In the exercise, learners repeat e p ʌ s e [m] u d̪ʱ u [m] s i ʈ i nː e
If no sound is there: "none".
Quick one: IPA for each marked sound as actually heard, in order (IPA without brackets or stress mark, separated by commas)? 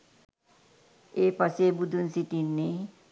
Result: b, n